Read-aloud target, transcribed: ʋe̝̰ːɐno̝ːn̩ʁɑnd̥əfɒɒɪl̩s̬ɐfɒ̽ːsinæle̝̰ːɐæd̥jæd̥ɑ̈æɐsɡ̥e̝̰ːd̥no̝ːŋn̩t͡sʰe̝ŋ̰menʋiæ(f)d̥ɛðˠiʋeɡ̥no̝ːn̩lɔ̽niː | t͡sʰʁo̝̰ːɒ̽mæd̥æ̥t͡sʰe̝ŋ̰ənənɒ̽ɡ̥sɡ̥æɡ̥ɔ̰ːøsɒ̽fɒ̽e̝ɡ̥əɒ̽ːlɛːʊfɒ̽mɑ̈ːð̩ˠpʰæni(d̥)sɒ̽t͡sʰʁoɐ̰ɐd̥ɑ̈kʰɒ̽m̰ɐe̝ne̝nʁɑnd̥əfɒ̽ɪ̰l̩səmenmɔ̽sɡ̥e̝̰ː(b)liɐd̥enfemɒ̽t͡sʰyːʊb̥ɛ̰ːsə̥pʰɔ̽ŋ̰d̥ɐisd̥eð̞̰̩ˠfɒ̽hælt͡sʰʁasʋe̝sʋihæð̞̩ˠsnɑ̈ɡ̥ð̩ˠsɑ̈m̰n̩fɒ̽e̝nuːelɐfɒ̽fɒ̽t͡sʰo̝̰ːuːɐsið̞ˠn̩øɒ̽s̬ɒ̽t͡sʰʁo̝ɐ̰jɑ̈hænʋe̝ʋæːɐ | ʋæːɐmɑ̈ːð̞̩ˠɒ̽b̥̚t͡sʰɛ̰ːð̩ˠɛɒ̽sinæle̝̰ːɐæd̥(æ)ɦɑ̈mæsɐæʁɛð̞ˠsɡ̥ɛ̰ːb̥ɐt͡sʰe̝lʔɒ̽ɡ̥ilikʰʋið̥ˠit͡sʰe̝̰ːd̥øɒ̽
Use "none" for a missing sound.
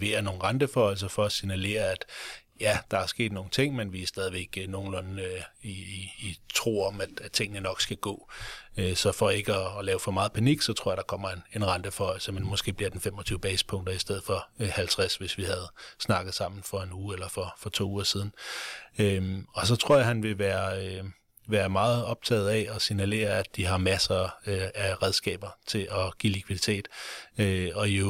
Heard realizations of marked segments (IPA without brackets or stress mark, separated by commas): s, ɡ̥, b, i